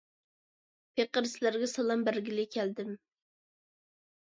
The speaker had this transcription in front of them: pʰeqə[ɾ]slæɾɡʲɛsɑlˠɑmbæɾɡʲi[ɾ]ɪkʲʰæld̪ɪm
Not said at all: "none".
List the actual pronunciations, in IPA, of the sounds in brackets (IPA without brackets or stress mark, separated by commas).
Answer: ɾ, l